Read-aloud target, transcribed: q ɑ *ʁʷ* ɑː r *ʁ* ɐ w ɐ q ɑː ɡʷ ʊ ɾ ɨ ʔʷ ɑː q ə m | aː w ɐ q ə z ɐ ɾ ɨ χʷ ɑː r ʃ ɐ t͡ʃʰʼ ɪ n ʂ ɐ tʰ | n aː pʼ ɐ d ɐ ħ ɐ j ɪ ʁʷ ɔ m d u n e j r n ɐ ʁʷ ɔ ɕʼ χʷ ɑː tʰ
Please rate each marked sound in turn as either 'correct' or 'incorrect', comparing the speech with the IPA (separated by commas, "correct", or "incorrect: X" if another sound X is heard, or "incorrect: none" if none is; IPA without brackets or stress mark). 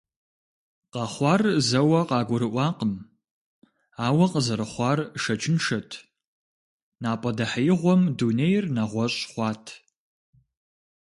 incorrect: χʷ, incorrect: z